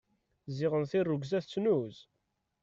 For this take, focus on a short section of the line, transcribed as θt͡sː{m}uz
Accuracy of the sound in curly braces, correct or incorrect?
incorrect